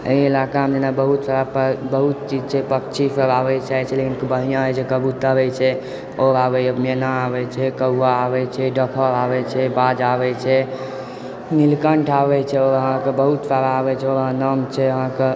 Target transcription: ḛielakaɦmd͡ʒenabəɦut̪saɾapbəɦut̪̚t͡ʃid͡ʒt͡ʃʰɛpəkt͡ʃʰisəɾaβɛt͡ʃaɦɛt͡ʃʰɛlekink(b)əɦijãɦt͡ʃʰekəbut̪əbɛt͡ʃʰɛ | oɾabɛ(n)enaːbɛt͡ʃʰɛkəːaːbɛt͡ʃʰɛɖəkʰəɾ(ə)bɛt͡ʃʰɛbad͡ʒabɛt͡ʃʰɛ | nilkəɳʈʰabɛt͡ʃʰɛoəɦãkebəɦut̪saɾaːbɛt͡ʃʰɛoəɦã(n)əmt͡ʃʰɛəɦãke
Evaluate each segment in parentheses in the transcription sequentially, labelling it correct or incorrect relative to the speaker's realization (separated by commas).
correct, incorrect, incorrect, correct